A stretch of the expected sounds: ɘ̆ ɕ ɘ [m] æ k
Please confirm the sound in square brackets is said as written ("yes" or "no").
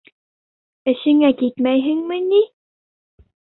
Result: no